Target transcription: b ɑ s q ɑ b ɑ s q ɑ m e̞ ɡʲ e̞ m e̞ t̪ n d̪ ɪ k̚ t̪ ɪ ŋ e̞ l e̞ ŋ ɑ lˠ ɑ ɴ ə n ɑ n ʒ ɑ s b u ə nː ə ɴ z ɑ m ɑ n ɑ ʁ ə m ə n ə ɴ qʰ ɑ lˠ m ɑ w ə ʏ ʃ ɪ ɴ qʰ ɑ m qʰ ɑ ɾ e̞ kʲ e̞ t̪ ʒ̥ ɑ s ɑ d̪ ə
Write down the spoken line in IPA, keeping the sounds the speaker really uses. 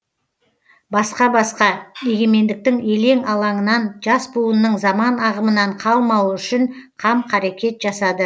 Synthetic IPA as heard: b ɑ s q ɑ b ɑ s q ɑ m e̞ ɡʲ e̞ m e̞ n d̪ ɪ k̚ t̪ ɪ ŋ e̞ l e̞ ŋ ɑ lˠ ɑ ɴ ə n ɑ n ʒ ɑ s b u ə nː ə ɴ z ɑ m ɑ n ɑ ʁ ə m ə n ɑ ɴ qʰ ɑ lˠ m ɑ w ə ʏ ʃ ɪ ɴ qʰ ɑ m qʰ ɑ ɾ e̞ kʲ e̞ t̪ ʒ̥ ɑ s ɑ d̪ ə